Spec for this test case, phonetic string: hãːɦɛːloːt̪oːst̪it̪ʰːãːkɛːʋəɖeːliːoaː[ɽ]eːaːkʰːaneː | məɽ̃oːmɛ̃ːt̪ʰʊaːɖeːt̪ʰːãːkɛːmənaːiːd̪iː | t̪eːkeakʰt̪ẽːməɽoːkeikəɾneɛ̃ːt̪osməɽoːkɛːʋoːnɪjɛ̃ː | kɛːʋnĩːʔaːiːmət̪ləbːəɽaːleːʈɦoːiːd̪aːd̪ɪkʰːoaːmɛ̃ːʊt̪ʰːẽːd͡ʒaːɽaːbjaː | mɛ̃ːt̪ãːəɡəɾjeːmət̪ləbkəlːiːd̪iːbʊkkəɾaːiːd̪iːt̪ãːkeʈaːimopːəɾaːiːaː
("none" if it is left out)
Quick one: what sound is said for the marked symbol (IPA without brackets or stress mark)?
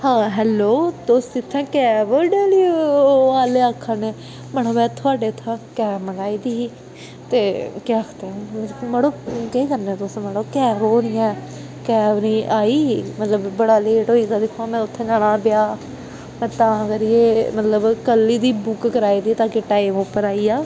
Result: l